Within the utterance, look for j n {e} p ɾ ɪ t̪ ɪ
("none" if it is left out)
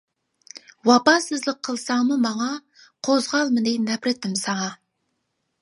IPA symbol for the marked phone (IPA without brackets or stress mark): æ